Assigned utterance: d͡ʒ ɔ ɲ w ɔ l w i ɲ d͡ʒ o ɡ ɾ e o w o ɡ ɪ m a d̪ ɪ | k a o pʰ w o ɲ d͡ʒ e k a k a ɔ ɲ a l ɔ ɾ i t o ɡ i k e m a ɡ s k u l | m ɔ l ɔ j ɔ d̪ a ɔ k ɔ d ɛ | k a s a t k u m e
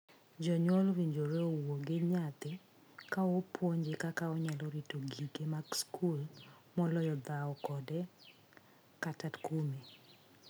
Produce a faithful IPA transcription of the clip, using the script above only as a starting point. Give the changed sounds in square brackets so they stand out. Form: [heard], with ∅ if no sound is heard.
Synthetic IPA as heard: d͡ʒ ɔ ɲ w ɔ l w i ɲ d͡ʒ o [∅] ɾ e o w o ɡ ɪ [ɲ] a [t̪] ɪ | k a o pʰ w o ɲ d͡ʒ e k a k a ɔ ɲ a l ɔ ɾ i t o ɡ i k e m a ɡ s k u l | m ɔ l ɔ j ɔ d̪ a ɔ k ɔ d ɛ | k a [t] a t k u m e

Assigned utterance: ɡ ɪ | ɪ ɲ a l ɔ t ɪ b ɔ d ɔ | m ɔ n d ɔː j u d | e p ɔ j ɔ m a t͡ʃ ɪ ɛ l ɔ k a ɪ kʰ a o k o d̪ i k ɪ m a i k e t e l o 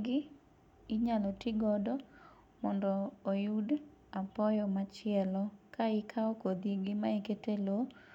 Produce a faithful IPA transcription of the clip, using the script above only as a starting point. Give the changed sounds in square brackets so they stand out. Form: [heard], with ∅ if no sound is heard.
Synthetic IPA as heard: ɡ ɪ | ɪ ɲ a l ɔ t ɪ [ɡ] ɔ d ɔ | m ɔ n d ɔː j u d | [a] p ɔ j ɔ m a t͡ʃ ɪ ɛ l ɔ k a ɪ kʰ a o k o d̪ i [ɡ] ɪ m a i k e t e l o

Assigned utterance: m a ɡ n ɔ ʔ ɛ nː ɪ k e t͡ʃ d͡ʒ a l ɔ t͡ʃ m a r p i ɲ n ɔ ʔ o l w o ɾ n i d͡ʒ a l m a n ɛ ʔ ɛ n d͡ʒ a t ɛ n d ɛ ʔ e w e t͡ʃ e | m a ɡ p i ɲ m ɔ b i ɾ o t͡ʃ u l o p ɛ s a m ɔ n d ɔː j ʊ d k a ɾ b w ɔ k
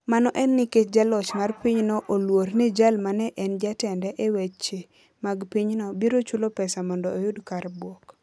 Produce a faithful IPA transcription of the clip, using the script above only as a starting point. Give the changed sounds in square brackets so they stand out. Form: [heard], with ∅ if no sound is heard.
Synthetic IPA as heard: m a [∅] n ɔ ʔ ɛ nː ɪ k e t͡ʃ d͡ʒ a l ɔ t͡ʃ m a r p i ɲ n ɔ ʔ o l w o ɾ n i d͡ʒ a l m a n ɛ ʔ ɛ n d͡ʒ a t ɛ n d ɛ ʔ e w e t͡ʃ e | m a ɡ p i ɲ [n] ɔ b i ɾ o t͡ʃ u l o p ɛ s a m ɔ n d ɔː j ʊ d k a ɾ b w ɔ k

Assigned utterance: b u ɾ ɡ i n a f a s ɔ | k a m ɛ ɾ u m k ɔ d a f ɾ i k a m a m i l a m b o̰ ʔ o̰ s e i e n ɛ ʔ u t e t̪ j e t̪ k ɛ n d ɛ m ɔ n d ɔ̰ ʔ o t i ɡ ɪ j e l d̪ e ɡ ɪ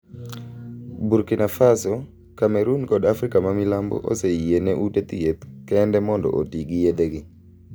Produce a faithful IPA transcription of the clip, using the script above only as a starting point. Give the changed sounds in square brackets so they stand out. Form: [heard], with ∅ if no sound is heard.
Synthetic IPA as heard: b u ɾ [k] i n a f a s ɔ | k a m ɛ ɾ u [n] k ɔ d a f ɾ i k a m a m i l a m b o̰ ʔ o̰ s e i e n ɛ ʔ u t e t̪ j e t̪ k ɛ n d ɛ m ɔ n d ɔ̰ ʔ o t i ɡ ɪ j e [∅] d̪ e ɡ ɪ

